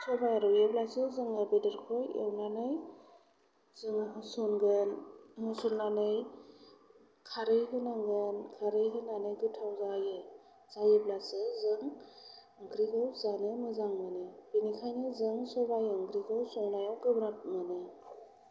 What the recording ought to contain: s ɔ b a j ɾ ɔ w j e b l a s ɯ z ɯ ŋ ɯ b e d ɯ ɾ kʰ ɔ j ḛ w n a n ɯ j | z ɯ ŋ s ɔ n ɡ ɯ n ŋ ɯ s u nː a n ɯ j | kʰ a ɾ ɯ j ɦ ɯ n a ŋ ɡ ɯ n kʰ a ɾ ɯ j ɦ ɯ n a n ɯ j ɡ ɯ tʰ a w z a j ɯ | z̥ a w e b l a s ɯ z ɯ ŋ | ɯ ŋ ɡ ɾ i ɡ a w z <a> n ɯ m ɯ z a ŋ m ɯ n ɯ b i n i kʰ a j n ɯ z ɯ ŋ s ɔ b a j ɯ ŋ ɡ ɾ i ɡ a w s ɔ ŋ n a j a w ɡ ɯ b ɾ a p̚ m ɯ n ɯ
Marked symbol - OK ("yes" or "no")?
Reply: yes